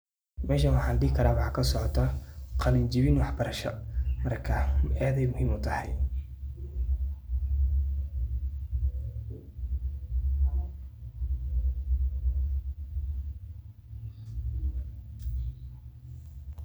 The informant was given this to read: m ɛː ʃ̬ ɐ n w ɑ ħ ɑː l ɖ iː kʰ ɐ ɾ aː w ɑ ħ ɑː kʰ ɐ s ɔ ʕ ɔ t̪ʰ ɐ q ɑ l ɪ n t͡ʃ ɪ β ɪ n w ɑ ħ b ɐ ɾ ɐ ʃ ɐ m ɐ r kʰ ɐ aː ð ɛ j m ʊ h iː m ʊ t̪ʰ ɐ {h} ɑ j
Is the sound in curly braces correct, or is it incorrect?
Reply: correct